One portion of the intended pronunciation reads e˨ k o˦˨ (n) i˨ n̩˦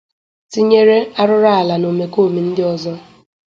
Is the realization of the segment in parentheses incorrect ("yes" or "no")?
yes